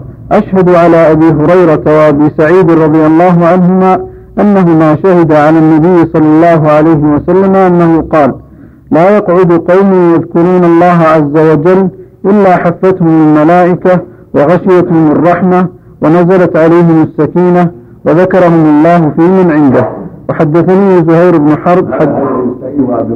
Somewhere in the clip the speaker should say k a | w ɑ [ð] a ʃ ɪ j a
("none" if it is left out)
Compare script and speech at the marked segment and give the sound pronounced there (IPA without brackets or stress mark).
ɣ